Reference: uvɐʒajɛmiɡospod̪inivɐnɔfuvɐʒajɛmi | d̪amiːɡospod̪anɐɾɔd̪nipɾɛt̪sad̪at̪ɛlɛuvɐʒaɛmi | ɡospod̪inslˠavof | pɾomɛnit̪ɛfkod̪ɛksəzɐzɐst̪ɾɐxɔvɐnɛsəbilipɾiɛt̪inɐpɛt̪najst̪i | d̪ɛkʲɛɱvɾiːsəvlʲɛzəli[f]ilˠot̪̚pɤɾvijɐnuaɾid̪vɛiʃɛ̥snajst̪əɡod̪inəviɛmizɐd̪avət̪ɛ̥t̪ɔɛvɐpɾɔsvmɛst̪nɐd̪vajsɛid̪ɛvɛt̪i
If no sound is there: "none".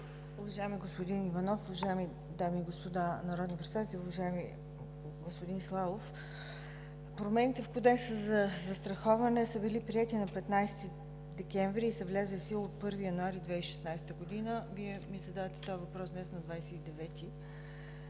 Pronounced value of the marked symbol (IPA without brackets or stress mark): s